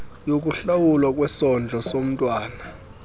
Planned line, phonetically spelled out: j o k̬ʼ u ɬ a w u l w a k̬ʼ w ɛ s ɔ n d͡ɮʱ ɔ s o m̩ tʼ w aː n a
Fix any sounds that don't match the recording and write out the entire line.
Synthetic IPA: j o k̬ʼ u ɬ a w u l w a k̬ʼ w ɛ s ɔ n d͡ɮʱ ɔ s o m̩ tʼ w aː n a